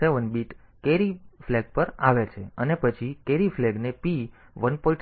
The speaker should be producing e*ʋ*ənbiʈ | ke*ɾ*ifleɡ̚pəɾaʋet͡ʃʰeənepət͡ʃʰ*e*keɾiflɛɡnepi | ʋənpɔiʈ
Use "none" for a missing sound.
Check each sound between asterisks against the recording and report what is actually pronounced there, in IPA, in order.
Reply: ʋ, ɾ, i

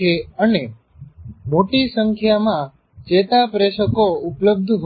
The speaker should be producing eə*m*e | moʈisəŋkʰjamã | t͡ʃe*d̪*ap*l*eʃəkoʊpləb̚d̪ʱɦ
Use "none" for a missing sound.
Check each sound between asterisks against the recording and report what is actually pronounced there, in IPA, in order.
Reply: n, t̪, ɾ

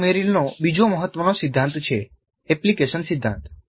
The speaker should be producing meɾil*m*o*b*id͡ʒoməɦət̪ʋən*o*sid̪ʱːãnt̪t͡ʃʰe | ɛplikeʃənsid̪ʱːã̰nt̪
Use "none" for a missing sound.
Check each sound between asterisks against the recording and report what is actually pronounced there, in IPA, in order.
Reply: n, b, o

